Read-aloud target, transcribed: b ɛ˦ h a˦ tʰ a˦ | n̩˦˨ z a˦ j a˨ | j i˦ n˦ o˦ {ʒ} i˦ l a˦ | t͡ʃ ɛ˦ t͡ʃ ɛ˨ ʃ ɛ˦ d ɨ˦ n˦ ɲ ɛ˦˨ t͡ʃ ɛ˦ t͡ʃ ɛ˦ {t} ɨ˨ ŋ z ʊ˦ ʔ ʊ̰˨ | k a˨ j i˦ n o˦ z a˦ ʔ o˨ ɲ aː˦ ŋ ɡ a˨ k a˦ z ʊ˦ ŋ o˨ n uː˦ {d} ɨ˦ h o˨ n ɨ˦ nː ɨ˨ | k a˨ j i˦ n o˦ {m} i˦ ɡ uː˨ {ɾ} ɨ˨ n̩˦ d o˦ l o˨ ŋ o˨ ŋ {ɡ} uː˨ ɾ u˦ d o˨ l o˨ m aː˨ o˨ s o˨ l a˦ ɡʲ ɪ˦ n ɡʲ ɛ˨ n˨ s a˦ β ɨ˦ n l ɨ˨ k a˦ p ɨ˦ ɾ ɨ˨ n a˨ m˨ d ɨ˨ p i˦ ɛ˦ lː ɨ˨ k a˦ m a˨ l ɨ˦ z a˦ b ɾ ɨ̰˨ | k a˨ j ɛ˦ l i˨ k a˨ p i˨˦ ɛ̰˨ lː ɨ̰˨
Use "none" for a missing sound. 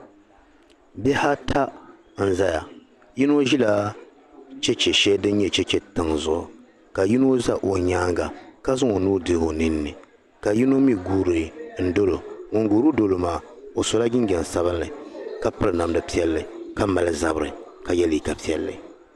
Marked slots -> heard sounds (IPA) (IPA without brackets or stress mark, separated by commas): ʒ, t, d, m, ɾ, ɡ